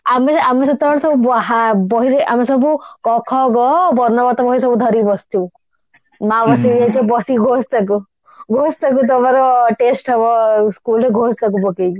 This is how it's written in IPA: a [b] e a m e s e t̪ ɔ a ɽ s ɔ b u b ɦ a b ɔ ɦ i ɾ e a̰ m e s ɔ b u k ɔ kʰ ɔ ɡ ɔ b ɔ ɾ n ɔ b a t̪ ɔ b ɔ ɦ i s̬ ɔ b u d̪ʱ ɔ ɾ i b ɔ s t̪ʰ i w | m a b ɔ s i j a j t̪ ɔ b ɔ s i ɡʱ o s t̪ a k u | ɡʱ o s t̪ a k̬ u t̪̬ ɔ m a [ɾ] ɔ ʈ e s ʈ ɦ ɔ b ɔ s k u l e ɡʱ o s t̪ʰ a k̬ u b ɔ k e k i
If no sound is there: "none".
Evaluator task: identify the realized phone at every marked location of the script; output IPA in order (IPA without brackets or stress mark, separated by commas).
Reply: m, ɾ